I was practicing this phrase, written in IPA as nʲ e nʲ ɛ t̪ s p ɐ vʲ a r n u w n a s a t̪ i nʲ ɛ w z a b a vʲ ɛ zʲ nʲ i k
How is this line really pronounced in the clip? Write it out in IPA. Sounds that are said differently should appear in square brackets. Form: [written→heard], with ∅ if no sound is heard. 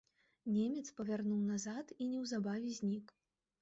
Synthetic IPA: nʲ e [nʲ→mʲ] ɛ t̪ s p ɐ vʲ a r n u w n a [s→z] a t̪ i nʲ ɛ w z a b a vʲ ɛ zʲ nʲ i k